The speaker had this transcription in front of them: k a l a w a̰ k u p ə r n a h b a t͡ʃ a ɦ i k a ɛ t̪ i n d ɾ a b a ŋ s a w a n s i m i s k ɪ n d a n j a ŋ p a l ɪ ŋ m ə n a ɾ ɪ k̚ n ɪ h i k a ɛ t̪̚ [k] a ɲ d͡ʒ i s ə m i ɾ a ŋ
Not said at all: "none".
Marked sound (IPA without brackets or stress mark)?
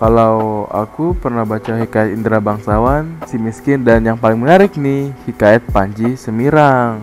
p